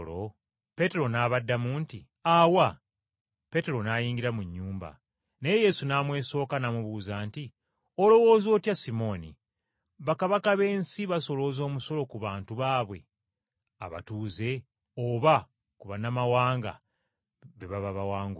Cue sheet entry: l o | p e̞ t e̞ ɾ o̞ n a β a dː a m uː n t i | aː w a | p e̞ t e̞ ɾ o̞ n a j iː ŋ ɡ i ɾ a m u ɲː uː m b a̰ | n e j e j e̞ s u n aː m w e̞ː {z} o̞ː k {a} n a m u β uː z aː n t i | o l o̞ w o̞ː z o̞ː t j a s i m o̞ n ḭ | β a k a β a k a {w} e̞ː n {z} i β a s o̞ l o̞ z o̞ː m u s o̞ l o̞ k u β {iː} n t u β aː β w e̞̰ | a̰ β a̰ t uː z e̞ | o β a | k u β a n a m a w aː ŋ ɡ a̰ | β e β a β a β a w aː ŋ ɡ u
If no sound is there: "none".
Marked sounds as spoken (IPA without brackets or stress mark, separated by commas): s, a, β, s, aː